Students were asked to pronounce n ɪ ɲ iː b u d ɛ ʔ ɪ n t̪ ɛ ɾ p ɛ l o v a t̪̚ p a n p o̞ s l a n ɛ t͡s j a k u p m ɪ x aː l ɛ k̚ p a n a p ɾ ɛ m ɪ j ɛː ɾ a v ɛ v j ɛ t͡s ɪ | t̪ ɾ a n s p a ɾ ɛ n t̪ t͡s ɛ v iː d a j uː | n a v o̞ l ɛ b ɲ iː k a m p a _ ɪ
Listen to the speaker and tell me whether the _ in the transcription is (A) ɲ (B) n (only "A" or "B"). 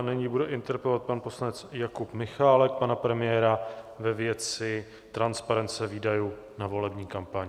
A